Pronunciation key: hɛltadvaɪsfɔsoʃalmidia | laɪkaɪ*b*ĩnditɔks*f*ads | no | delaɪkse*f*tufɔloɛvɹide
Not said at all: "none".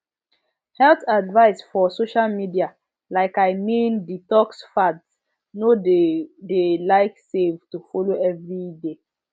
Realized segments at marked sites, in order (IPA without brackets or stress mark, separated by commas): m, f, v